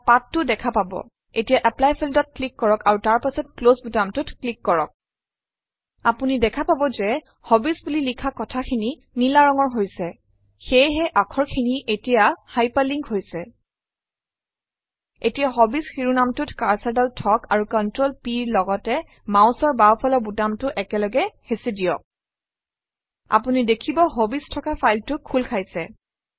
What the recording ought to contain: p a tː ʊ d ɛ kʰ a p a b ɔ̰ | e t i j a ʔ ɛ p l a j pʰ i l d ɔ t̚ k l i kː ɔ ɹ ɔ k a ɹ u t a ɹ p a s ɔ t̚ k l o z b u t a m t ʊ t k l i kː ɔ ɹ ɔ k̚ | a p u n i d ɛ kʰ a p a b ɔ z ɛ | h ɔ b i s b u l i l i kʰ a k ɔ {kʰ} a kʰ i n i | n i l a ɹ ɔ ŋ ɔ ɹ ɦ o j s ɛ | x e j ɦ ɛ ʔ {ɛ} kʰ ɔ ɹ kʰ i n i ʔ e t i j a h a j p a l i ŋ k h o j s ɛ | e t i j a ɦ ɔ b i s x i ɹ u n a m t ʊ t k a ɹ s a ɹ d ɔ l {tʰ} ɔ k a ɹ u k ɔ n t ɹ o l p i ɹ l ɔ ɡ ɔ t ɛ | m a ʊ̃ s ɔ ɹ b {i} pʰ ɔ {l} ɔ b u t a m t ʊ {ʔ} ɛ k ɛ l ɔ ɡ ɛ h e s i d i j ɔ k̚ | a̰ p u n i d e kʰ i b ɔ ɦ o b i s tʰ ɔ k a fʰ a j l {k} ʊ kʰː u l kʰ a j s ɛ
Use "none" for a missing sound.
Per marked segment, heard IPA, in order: tʰ, a, tʰ, a, l, ʔ, t

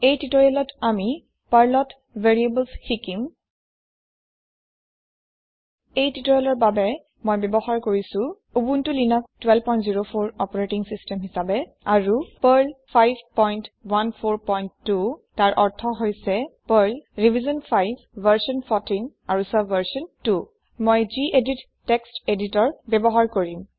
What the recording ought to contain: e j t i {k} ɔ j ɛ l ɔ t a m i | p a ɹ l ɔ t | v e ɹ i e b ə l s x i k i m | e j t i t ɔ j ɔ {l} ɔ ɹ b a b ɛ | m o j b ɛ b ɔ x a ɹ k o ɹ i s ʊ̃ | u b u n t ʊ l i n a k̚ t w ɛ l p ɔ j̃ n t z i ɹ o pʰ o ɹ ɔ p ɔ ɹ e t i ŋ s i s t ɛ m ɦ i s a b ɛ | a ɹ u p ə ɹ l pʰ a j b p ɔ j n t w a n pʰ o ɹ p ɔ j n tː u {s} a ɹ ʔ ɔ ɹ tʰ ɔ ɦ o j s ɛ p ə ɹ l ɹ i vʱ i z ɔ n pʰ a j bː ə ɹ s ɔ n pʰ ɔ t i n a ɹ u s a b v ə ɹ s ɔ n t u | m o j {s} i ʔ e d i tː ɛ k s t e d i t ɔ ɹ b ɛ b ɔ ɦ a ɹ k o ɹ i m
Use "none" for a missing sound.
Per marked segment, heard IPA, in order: t, l, t, z

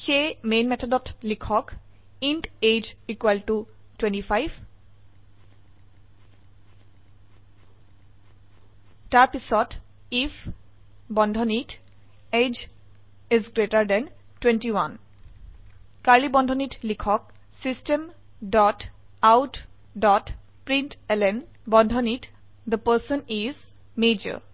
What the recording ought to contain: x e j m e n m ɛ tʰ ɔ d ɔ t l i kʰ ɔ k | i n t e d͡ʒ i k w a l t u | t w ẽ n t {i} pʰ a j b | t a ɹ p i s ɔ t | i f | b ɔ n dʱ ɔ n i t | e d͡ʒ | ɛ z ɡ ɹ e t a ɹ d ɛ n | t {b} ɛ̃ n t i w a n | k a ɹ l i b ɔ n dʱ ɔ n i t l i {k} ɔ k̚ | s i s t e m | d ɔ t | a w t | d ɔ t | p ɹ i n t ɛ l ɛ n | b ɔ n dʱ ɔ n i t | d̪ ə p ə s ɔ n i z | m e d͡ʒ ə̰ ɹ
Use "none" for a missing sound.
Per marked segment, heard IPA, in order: i, w, kʰ

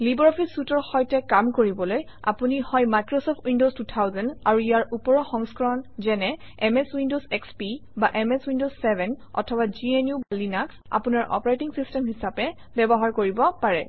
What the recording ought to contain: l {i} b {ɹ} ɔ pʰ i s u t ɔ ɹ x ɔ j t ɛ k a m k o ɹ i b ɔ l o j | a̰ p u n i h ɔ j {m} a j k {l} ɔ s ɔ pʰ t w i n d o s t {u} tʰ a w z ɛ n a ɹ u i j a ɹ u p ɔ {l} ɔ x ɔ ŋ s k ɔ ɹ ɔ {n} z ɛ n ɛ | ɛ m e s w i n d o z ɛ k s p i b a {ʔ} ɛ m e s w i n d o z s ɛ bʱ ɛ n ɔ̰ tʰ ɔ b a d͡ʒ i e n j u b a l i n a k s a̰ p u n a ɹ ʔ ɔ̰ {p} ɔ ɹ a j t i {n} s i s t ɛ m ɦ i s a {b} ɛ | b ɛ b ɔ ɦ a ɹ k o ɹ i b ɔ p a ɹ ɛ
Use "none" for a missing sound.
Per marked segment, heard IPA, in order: i, ɹ, m, ɹ, u, ɹ, n, ʔ, p, ŋ, p

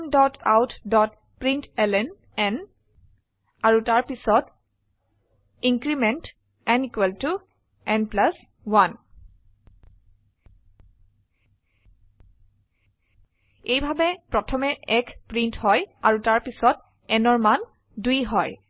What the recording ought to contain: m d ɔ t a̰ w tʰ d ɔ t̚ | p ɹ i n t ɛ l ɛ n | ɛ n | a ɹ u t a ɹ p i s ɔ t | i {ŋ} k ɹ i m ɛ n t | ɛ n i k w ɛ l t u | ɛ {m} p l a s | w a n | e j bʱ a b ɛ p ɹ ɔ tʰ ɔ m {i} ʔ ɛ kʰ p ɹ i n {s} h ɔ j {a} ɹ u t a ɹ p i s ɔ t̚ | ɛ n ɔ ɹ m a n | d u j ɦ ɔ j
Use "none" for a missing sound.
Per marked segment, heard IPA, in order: ŋ, n, ɛ, t, a

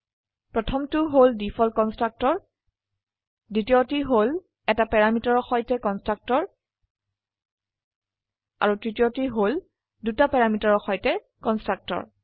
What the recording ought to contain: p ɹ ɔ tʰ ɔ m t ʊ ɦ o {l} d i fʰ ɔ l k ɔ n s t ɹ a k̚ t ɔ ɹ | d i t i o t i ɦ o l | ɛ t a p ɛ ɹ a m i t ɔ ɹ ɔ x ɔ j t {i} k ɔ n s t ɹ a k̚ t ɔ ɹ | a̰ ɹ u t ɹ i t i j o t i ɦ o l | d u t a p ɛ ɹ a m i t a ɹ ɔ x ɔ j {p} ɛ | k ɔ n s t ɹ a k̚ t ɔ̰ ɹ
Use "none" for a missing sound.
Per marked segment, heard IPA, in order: l, ɛ, t

